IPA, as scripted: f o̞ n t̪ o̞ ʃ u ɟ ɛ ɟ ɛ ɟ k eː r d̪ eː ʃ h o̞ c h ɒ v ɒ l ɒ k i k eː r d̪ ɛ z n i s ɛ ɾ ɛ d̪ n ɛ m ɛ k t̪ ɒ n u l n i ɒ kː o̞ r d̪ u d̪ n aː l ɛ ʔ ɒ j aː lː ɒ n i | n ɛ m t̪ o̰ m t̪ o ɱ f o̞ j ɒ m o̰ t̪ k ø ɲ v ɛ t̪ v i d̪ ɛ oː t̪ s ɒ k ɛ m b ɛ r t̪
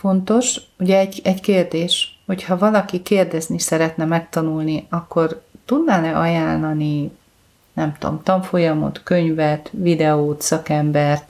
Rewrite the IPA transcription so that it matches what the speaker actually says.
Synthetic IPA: f o̞ n t̪ o̞ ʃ u ɟ ɛ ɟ ɛ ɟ k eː r d̪ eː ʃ h o̞ c h ɒ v ɒ l ɒ k i k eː r d̪ ɛ z n i s ɛ ɾ ɛ t̪ n ɛ m ɛ k t̪ ɒ n u l n i ɒ kː o̞ r t̪ u d̪ n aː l ɛ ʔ ɒ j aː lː ɒ n i | n ɛ m t̪ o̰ m t̪ ɒ ɱ f o̞ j ɒ m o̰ t̪ k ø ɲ v ɛ t̪ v i d̪ ɛ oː t̪ s ɒ k ɛ m b ɛ r t̪